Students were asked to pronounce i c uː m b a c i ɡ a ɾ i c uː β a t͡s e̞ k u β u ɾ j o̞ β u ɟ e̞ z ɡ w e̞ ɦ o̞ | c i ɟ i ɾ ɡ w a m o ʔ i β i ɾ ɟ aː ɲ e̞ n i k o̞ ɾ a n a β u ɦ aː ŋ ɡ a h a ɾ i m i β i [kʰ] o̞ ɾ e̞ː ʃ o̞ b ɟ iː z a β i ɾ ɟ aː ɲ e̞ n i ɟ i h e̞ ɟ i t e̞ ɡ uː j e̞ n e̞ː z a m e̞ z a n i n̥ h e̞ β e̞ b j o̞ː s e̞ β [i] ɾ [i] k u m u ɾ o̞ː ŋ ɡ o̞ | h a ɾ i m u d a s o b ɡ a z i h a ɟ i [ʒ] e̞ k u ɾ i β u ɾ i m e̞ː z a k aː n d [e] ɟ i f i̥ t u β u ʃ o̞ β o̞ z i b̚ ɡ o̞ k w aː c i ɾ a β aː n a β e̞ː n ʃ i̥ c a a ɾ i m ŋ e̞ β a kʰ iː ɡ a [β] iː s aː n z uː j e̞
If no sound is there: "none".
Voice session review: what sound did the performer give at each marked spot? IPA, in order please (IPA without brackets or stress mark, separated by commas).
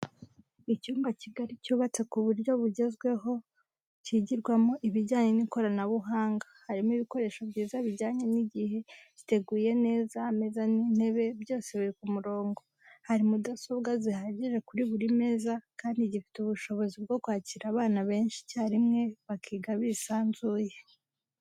k, i, i, ʒ, i, β